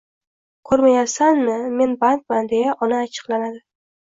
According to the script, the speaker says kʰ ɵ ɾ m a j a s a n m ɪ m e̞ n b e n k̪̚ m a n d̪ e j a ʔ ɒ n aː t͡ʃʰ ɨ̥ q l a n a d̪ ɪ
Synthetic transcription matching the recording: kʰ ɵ ɾ m a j a s a n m ɪ m e̞ n b a n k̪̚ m a n d̪ e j a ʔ ɒ n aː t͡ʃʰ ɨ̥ q l a n a d̪ ɪ